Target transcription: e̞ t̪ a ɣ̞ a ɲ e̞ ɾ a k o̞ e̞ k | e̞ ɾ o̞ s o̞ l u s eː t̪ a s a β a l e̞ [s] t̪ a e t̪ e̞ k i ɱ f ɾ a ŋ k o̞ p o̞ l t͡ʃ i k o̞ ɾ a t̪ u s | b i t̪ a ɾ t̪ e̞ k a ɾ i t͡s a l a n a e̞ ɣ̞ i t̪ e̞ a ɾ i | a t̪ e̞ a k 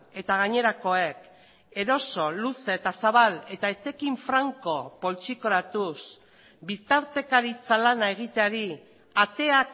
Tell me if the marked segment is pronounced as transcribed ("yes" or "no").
no